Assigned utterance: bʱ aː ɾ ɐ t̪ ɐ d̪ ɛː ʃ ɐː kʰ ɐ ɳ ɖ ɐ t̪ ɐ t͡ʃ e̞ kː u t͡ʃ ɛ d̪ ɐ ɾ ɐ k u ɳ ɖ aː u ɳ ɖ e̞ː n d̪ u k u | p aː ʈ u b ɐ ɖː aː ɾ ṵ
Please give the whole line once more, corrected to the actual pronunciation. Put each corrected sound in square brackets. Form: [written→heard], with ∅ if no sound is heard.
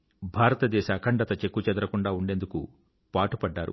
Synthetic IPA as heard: bʱ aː ɾ ɐ t̪ ɐ d̪ ɛː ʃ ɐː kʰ ɐ ɳ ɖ ɐ t̪ ɐ t͡ʃ e̞ kː u t͡ʃ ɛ d̪ ɐ ɾ ɐ k u ɳ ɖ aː u ɳ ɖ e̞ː n d̪ u k u | p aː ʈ u [b→p] ɐ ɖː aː ɾ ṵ